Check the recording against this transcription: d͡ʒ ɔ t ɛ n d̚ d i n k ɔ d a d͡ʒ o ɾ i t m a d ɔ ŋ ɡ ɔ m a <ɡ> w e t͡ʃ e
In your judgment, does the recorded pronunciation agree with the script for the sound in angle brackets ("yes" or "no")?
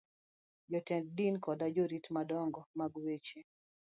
yes